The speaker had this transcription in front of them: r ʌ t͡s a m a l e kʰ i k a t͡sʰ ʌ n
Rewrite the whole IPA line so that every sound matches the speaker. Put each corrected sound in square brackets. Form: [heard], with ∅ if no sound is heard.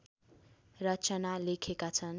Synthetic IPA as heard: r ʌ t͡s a [n] a l e kʰ [e] k a t͡sʰ ʌ n